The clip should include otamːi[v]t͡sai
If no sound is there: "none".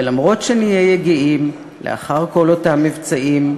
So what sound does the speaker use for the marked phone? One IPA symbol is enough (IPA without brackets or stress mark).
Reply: v